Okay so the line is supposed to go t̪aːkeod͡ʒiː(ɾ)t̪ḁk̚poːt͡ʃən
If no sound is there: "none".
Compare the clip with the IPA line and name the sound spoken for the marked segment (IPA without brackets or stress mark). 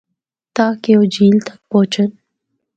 l